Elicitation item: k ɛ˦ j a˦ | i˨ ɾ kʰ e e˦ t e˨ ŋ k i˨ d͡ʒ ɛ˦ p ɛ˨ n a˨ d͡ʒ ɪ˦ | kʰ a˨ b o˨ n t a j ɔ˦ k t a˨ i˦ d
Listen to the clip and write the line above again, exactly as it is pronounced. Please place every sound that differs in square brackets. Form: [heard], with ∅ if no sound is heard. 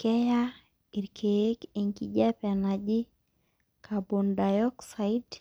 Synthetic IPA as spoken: k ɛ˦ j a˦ | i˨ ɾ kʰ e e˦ [k] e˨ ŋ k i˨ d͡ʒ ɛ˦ p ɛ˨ n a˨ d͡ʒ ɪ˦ | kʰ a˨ b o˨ n [d] a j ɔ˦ k [s] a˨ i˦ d

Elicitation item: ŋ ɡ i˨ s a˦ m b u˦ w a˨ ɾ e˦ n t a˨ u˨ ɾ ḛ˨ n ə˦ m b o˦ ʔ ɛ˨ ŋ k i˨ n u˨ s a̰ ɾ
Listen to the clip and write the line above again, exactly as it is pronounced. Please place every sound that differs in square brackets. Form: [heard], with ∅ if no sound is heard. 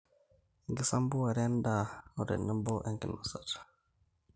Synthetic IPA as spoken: ŋ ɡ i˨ s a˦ m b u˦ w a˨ ɾ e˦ n [d] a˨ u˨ ɾ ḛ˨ n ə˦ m b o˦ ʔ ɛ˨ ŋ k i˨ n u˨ s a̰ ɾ

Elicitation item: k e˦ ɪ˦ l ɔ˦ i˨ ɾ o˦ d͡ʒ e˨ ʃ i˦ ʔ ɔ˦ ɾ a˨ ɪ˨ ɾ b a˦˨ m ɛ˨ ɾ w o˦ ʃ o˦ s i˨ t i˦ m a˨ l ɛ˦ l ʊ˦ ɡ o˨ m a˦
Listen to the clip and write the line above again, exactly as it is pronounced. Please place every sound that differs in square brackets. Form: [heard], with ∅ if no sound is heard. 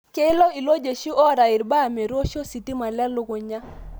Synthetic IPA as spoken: k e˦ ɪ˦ l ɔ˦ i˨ [l] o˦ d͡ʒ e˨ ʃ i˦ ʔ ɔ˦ ɾ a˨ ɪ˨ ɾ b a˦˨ m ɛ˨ ɾ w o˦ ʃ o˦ s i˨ t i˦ m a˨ l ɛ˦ l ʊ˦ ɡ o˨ [ɲ] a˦

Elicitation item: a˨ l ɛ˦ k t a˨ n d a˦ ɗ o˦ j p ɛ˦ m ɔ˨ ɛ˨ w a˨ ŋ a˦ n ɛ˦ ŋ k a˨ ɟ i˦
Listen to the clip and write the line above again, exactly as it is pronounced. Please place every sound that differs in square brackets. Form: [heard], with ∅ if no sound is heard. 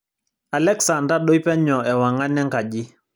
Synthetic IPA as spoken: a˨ l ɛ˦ k [s] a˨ n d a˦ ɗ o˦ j p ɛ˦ [ɲ] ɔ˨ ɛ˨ w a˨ ŋ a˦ n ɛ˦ ŋ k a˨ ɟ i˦

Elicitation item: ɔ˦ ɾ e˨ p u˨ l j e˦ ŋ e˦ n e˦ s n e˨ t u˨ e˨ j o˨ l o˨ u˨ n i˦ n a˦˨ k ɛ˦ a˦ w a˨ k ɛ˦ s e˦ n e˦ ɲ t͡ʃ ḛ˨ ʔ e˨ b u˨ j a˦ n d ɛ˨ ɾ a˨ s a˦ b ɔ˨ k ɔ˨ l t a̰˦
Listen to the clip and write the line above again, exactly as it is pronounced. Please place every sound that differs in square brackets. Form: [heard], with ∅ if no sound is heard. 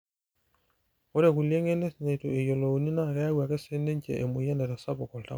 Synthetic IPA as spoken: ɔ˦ ɾ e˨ [k] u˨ l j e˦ ŋ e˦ n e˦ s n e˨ t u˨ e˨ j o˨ l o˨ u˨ n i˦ n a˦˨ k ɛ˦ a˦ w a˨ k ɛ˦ s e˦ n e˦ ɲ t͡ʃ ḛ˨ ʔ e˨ [m] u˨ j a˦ n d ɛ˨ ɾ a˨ s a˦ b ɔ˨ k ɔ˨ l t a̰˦

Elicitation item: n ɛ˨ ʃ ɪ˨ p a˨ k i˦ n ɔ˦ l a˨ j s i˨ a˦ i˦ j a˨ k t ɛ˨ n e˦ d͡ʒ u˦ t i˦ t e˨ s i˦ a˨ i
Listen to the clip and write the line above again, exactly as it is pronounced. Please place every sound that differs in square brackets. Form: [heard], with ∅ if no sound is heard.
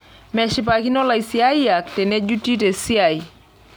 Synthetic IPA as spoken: [m] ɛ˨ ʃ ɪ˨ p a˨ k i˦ n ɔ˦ l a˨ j s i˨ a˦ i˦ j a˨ k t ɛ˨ n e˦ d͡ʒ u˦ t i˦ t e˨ s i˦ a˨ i

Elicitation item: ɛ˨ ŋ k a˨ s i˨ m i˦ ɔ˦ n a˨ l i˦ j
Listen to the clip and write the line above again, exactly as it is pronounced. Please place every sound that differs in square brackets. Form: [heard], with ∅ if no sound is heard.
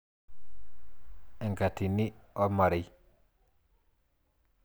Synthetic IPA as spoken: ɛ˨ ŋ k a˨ [t] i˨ [n] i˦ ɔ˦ [m] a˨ [ɾ] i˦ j

